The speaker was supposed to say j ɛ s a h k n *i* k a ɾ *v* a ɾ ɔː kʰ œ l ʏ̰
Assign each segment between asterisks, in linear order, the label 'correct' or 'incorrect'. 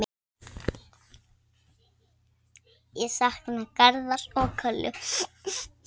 incorrect: a, incorrect: ð

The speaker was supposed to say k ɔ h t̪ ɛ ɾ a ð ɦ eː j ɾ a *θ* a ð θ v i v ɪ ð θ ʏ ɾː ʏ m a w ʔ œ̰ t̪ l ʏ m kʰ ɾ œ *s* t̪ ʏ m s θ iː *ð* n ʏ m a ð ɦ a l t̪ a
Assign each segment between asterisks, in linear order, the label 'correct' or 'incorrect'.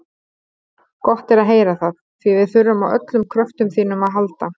correct, incorrect: f, incorrect: none

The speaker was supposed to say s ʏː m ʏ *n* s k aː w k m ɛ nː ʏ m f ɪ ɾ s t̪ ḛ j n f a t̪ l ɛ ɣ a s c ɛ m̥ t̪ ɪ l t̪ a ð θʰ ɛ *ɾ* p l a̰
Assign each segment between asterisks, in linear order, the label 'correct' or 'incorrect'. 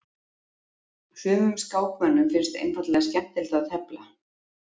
incorrect: m, incorrect: none

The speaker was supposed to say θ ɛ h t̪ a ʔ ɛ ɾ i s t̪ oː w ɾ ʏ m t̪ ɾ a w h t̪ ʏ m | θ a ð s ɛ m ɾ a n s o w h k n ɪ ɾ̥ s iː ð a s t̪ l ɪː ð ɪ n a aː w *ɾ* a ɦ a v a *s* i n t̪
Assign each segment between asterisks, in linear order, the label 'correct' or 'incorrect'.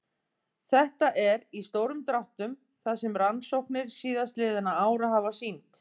correct, correct

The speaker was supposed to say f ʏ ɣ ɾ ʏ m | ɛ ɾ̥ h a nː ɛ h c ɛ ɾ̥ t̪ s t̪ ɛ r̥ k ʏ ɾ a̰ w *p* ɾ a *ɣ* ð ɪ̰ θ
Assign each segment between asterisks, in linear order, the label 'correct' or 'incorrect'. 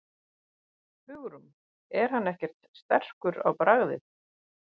correct, correct

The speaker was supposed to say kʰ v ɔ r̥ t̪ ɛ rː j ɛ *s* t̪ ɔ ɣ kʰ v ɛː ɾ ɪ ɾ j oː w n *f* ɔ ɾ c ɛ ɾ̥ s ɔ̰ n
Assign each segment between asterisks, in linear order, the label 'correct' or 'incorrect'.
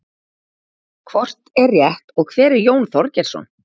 incorrect: h, incorrect: θ

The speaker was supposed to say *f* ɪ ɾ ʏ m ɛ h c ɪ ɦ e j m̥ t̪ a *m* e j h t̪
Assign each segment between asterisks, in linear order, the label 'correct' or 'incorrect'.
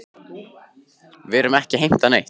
incorrect: v, incorrect: n

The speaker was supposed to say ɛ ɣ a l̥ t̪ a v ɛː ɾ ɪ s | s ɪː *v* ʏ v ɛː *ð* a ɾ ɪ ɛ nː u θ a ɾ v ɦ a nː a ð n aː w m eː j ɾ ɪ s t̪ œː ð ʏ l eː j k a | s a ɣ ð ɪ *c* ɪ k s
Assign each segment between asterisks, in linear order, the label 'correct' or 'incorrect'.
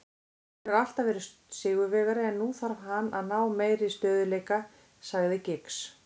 incorrect: ɣ, incorrect: ɣ, correct

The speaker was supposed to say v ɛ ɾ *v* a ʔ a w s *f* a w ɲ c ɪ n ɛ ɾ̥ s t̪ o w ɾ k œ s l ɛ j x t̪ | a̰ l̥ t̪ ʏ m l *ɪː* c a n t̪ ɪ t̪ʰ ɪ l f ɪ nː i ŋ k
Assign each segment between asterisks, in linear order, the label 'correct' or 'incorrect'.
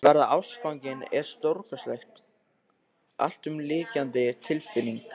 incorrect: ð, correct, correct

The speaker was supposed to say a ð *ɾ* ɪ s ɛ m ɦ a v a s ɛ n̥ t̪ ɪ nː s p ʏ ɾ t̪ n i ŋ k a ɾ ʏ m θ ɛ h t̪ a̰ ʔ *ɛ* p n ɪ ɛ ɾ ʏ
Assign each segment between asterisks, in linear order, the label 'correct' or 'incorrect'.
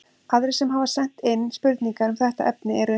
correct, correct

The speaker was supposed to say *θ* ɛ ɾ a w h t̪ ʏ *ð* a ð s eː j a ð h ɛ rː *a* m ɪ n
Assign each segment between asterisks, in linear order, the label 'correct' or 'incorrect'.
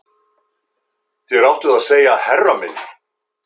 correct, correct, correct

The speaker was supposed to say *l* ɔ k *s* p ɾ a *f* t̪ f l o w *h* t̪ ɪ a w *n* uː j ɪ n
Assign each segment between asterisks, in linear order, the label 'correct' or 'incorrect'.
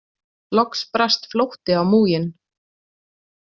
correct, correct, incorrect: s, correct, incorrect: m

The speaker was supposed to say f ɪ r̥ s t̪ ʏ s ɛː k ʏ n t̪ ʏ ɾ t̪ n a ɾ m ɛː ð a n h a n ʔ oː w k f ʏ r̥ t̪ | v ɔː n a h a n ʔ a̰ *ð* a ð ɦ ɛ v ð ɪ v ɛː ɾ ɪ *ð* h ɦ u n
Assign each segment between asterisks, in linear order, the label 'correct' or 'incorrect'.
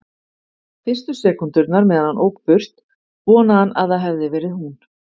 correct, correct

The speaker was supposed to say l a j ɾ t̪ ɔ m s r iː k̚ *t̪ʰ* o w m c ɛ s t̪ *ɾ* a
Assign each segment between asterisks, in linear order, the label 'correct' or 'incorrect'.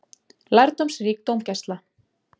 incorrect: t̪, incorrect: l

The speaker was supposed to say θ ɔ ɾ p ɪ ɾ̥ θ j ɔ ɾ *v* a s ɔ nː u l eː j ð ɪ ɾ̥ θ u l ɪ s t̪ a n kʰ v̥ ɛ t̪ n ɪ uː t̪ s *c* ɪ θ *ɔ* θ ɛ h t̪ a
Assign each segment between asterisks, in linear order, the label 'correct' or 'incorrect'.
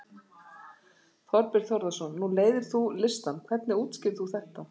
incorrect: ð, correct, incorrect: u

